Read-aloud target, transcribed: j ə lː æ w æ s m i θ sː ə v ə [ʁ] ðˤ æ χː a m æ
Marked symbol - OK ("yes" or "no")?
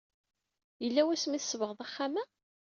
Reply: yes